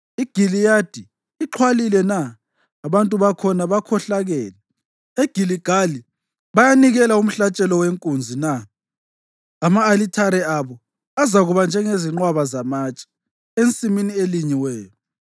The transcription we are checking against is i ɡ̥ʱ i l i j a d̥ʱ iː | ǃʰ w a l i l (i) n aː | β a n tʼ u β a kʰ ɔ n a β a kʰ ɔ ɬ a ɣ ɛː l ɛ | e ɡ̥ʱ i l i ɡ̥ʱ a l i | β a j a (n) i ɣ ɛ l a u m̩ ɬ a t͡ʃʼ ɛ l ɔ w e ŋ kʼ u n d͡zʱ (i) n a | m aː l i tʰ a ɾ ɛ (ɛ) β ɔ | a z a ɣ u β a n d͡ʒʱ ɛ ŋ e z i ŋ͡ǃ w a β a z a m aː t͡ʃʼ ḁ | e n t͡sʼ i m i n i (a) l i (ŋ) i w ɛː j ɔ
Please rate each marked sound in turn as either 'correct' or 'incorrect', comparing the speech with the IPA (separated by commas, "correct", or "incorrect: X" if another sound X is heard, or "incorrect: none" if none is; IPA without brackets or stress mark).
incorrect: ɛ, correct, correct, incorrect: a, incorrect: e, incorrect: ɲ